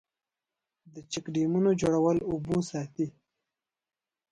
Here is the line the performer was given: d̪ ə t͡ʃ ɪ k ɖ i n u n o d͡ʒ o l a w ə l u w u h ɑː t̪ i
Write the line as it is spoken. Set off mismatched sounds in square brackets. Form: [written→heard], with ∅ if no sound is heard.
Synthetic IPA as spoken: d̪ ə t͡ʃ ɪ k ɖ i [n→m] u n o d͡ʒ o [l→ɽ] a w ə l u [w→b] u [h→s] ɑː t̪ i